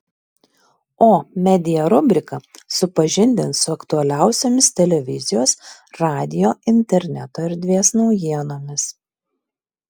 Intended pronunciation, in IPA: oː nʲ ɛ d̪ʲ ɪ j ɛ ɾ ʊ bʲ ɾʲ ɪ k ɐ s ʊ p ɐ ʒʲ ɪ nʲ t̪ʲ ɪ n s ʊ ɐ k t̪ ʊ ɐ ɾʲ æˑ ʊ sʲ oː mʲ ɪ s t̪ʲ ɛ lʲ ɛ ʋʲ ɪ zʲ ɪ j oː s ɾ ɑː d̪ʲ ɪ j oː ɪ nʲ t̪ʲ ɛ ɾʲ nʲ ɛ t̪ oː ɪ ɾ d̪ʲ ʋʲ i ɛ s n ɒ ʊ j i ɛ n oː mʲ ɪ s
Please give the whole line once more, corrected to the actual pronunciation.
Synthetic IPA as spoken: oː mʲ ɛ d̪ʲ ɪ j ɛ ɾ ʊ bʲ ɾʲ ɪ k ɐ s ʊ p ɐ ʒʲ ɪ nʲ d̪ʲ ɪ n s ʊ ɐ k t̪ ʊ ɐ lʲ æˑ ʊ sʲ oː mʲ ɪ s t̪ʲ ɛ lʲ ɛ ʋʲ ɪ zʲ ɪ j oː s ɾ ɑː d̪ʲ ɪ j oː ɪ nʲ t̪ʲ ɛ ɾʲ nʲ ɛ t̪ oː ɪ ɾ d̪ʲ ʋʲ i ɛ s n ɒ ʊ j i ɛ n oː mʲ ɪ s